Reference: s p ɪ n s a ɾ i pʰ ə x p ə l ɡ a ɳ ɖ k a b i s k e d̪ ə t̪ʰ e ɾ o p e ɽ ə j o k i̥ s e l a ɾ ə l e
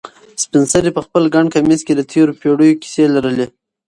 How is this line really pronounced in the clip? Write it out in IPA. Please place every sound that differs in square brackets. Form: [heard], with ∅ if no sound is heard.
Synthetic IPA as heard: s p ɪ n s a ɾ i [p] ə x p ə l ɡ a ɳ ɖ k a [m] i s k e d̪ ə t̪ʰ e ɾ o p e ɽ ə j o k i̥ s e l a ɾ ə l e